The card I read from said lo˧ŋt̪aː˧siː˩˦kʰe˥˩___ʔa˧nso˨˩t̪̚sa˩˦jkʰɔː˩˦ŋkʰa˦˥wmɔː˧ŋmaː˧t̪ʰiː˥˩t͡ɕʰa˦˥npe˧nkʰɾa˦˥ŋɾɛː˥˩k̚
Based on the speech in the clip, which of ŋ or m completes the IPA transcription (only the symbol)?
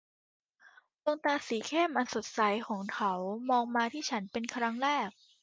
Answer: m